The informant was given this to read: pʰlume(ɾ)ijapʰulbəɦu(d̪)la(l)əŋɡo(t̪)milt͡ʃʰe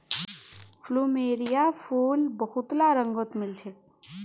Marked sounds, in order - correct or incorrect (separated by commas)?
correct, incorrect, incorrect, correct